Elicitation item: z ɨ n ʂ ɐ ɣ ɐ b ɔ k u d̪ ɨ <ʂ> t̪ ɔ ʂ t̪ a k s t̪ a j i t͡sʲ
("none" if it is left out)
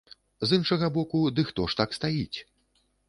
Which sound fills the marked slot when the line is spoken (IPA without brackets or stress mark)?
x